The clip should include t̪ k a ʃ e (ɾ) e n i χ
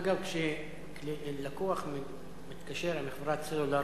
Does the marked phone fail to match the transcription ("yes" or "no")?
no